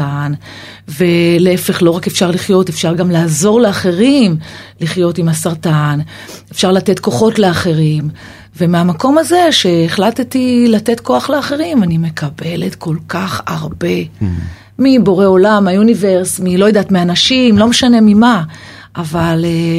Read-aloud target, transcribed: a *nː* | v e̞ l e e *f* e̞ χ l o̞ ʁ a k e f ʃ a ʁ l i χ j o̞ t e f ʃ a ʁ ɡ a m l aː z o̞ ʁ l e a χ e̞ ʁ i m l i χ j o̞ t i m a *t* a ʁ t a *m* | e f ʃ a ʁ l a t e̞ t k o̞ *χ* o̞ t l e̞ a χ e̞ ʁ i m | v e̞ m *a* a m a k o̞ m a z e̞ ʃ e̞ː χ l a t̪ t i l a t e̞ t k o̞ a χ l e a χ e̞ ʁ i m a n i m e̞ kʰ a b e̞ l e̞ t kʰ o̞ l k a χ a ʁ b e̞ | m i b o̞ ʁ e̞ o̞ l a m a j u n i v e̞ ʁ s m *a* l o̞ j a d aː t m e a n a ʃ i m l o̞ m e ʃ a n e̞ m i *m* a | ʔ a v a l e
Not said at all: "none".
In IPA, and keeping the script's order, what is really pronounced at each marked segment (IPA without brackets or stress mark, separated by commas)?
n, f, s, n, χ, e, i, m